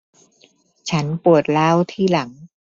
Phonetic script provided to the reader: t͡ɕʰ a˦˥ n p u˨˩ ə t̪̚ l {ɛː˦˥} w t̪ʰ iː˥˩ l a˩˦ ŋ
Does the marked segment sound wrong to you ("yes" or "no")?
yes